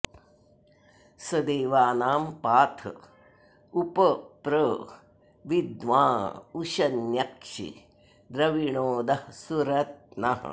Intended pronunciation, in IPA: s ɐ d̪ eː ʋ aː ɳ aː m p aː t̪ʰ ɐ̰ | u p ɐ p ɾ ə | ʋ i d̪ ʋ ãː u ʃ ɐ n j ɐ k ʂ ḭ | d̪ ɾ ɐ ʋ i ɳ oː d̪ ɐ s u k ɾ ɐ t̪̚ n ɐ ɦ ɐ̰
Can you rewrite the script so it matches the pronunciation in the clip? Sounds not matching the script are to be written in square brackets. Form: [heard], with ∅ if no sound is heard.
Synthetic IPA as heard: s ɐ d̪ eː ʋ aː [n] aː m p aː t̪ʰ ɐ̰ | u p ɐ p ɾ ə | ʋ i d̪ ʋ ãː u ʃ ɐ n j ɐ k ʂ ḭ | d̪ ɾ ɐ ʋ i ɳ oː d̪ ɐ s u [∅] ɾ ɐ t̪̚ n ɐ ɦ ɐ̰